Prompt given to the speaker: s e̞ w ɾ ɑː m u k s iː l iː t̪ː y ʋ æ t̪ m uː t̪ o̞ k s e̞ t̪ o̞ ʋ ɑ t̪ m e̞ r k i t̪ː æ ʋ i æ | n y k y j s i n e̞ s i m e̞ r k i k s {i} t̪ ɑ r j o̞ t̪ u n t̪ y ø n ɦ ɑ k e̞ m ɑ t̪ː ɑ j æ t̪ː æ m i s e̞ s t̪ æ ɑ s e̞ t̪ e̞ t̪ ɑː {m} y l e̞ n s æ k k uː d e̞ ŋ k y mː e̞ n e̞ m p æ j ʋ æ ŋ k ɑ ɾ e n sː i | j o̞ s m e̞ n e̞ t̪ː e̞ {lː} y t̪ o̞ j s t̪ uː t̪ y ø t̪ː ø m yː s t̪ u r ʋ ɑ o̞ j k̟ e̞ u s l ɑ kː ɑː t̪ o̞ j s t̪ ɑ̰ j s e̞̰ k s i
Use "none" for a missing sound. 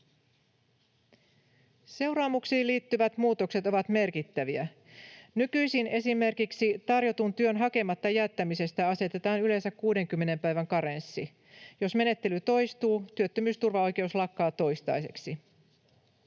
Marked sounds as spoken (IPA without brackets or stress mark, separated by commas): i, n, l